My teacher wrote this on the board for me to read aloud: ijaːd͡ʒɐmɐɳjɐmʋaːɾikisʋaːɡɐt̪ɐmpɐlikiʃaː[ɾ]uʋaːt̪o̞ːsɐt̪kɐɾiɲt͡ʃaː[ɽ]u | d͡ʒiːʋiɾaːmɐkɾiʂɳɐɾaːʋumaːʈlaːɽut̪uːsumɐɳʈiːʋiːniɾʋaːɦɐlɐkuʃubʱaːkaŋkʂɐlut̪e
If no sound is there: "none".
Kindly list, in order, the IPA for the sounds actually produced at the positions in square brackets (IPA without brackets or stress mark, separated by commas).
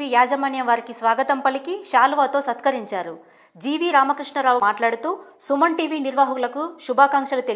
l, ɾ